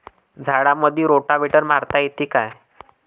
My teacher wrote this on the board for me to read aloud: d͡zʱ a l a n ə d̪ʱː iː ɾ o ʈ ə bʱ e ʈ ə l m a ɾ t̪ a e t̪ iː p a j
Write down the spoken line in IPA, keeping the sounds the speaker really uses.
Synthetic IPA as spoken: d͡zʱ a ɽ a m ə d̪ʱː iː ɾ o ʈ a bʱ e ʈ ə ɾ m a ɾ t̪ a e t̪ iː k a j